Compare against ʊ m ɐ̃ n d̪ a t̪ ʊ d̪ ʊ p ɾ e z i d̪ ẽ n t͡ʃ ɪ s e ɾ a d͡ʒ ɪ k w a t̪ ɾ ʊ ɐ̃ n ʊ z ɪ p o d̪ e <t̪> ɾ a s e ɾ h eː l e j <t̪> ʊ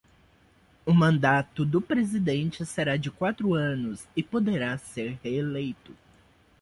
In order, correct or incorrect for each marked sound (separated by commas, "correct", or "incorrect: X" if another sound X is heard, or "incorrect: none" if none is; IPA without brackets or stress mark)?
incorrect: none, correct